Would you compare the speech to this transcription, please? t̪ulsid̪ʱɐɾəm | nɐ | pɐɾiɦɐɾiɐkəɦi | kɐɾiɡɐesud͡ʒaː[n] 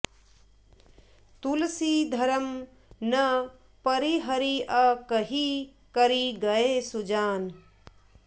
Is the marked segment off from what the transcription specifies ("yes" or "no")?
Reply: no